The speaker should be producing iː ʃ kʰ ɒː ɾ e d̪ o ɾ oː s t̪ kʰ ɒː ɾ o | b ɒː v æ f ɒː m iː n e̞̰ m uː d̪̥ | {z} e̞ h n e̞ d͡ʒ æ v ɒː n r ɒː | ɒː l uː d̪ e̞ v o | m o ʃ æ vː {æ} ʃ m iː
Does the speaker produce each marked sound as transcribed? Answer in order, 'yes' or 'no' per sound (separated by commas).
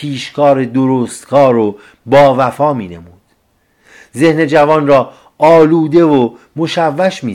yes, yes